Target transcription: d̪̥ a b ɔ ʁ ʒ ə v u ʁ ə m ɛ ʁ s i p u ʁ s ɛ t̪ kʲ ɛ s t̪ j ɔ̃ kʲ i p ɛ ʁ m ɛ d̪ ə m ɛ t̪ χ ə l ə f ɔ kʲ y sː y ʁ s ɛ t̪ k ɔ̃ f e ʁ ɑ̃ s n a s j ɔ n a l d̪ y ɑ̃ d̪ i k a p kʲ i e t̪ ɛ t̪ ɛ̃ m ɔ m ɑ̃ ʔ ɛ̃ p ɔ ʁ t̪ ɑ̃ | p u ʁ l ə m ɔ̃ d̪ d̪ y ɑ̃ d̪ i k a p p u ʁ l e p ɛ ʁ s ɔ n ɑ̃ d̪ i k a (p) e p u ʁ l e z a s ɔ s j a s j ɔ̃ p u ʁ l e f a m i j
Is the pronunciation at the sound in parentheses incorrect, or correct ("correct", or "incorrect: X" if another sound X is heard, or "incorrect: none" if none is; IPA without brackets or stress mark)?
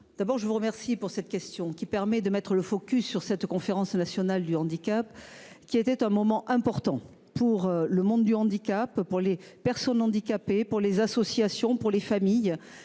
correct